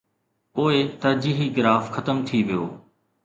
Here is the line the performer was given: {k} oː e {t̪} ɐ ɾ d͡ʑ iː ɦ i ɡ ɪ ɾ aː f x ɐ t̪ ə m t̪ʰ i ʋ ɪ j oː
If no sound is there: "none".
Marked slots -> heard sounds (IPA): p, t̪

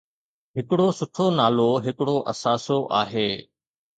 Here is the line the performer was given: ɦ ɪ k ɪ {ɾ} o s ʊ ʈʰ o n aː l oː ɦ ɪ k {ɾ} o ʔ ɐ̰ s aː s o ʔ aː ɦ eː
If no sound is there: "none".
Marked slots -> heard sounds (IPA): ɽ, ɽ

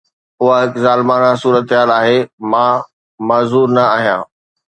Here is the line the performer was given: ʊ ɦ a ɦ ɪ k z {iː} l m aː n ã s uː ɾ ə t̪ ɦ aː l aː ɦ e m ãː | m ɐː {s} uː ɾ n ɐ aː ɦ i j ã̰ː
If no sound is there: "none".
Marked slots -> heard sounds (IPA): aː, z

